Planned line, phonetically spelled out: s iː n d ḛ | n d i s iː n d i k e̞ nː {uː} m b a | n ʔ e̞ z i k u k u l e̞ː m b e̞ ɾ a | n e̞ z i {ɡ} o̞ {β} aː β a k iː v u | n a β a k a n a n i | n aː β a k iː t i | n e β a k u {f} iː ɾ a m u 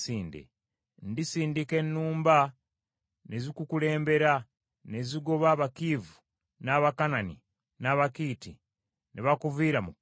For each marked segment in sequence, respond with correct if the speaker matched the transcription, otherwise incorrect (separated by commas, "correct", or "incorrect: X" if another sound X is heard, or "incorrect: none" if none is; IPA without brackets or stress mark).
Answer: correct, correct, correct, incorrect: v